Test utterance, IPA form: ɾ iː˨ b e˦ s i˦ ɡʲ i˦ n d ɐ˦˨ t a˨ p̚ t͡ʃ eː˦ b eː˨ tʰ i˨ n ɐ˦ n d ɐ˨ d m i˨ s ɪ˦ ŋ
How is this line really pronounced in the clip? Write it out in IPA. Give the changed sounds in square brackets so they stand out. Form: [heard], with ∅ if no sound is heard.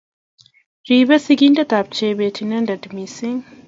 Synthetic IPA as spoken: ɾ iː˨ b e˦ s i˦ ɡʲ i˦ n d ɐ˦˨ t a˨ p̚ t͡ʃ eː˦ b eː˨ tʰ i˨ n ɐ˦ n d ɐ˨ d m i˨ s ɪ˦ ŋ